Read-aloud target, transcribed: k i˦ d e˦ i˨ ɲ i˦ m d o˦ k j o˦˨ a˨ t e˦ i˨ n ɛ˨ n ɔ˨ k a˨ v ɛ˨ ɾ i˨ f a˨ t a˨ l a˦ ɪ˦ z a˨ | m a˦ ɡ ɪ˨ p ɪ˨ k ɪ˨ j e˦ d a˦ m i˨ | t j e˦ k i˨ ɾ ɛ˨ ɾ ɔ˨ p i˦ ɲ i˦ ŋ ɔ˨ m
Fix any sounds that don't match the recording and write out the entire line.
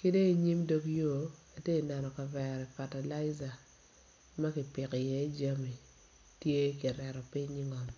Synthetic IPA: k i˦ d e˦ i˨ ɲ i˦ m d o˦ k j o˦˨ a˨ t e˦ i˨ n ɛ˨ n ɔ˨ k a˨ v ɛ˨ ɾ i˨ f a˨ t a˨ l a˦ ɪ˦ z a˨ | m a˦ k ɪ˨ p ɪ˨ k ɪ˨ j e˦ d͡ʒ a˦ m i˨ | t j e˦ k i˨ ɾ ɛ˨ ɾ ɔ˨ p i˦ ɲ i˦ ŋ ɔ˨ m